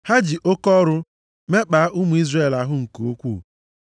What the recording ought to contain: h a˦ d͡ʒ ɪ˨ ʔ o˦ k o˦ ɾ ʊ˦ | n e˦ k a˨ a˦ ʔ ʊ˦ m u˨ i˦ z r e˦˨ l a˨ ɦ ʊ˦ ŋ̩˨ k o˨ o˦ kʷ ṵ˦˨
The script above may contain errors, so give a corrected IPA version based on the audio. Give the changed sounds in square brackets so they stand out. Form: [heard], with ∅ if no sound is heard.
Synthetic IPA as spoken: h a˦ d͡ʒ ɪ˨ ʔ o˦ k [ɔ˦] ɾ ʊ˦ | [m] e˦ [k͡p] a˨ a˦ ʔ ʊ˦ m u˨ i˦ z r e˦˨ l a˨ ɦ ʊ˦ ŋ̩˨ k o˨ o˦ kʷ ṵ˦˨